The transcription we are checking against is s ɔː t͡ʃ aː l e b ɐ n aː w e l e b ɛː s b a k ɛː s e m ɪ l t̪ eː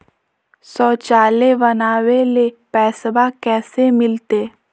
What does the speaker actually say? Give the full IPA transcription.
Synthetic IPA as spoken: s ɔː t͡ʃ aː l e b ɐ n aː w e l e p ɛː s b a k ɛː s e m ɪ l t̪ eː